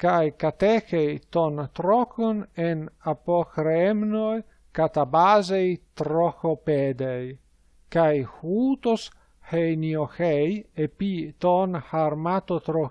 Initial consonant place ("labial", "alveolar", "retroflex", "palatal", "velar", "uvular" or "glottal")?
velar